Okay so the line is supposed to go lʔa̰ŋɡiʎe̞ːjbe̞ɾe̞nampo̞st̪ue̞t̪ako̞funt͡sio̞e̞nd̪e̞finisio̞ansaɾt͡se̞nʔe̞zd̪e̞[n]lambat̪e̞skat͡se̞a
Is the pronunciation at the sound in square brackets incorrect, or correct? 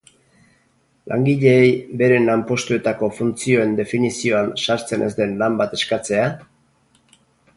correct